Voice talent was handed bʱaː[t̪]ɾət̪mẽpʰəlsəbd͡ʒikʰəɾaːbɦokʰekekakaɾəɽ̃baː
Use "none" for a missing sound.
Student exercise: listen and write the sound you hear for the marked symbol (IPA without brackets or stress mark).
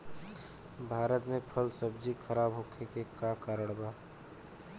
none